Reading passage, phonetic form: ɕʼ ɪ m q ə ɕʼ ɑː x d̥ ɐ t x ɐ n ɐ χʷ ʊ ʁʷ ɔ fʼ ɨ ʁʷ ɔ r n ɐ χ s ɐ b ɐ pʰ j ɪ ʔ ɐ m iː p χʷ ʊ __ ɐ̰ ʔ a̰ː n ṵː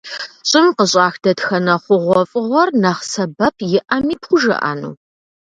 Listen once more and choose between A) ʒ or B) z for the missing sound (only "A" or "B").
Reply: A